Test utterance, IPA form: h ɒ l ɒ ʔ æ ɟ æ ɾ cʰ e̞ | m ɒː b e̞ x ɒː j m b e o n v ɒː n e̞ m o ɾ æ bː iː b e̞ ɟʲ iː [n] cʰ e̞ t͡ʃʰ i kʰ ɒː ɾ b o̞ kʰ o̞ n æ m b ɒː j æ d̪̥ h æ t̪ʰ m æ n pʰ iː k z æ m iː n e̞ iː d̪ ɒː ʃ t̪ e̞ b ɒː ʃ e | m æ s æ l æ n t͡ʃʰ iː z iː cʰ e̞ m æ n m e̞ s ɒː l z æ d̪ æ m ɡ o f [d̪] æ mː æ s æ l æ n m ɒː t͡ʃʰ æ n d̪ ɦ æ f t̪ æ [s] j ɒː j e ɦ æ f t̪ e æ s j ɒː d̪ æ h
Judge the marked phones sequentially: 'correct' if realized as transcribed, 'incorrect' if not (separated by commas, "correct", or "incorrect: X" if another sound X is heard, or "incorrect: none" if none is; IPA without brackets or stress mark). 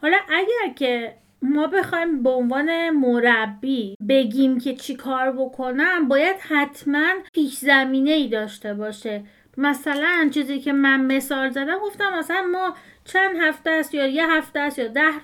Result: incorrect: m, incorrect: t̪, correct